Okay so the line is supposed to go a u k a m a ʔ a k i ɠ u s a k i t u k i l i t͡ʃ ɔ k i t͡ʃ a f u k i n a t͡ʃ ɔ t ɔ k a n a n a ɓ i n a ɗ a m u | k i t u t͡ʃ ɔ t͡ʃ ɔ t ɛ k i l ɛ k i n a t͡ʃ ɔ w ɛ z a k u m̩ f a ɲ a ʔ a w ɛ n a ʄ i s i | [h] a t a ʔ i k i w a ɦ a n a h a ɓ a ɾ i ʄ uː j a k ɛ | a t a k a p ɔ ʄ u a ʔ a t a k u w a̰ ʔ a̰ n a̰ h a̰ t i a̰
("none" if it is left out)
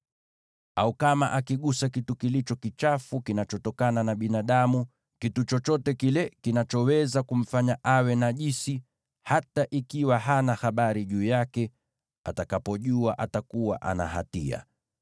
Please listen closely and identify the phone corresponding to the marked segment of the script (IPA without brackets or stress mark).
h